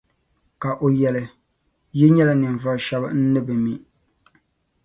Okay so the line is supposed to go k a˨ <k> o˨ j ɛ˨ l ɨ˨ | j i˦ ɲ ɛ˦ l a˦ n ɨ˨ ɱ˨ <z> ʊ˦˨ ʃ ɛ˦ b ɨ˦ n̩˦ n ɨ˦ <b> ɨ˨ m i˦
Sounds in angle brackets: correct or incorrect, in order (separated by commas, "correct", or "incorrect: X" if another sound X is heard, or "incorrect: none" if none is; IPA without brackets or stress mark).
incorrect: ʔ, incorrect: v, correct